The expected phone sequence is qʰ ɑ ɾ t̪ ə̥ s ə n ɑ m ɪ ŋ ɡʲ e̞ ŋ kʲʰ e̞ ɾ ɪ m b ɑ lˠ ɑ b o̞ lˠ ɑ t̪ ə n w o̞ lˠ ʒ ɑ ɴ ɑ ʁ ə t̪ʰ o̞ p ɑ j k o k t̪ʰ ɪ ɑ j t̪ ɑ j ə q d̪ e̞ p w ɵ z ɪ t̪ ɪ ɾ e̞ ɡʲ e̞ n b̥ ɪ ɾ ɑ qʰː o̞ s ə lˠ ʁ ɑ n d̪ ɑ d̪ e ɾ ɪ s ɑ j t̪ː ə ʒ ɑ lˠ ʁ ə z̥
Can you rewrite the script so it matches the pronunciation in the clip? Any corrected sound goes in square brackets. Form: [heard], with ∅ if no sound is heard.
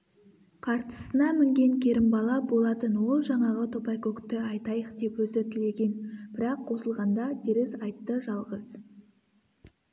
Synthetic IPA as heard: qʰ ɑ ɾ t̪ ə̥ s ə n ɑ m ɪ ŋ ɡʲ e̞ ŋ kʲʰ e̞ ɾ ɪ m b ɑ lˠ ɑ b o̞ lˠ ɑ t̪ ə n w o̞ lˠ ʒ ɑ ɴ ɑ ʁ ə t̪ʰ o̞ p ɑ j k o k [t̪] ɪ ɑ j t̪ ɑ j ə q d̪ e̞ p w ɵ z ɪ t̪ ɪ [l] e̞ ɡʲ e̞ n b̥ ɪ ɾ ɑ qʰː o̞ s ə lˠ ʁ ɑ n d̪ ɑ d̪ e ɾ ɪ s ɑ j t̪ː ə ʒ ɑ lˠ ʁ ə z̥